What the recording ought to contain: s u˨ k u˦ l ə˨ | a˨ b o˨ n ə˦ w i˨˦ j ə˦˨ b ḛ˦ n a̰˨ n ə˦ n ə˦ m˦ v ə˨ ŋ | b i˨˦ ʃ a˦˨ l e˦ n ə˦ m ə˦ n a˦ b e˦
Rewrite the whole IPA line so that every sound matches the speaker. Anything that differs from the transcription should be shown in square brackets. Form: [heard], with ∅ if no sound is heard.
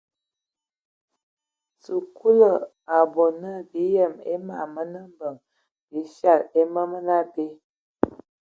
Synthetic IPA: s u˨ k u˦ l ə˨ | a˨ b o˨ n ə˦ [b] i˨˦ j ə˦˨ [m] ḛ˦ [m] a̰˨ [m] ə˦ n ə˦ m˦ [b] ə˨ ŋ | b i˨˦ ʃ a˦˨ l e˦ [m] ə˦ m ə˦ n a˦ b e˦

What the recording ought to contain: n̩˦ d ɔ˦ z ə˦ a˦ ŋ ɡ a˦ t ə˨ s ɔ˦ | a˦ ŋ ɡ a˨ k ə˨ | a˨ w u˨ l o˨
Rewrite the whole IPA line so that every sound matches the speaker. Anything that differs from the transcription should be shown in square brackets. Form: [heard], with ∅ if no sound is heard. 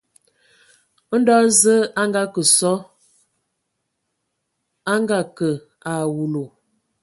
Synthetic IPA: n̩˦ d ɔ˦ z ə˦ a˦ ŋ ɡ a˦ [k] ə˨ s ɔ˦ | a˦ ŋ ɡ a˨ k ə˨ | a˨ w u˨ l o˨

